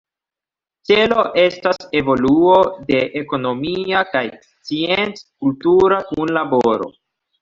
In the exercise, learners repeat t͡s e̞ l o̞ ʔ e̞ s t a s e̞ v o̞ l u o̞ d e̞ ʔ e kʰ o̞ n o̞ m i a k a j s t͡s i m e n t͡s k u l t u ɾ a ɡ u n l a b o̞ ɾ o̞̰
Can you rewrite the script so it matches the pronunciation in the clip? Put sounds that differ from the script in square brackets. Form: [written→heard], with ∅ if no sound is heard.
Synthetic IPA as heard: t͡s e̞ l o̞ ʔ e̞ s t a s e̞ v o̞ l u o̞ d e̞ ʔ e [kʰ→k] o̞ n o̞ m i a k a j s t͡s i [m→∅] e n t͡s k u l t u ɾ a [ɡ→k] u n l a b o̞ ɾ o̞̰